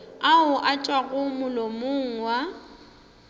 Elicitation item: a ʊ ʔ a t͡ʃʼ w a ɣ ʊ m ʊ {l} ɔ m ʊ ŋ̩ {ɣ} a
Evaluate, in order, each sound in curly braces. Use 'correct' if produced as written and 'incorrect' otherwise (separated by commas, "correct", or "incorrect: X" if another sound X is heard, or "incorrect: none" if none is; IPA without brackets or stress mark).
correct, incorrect: w